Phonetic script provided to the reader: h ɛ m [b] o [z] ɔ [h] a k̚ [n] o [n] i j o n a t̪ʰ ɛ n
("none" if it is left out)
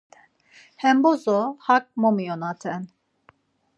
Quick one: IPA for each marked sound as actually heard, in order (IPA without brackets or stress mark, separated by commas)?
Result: b, z, h, m, m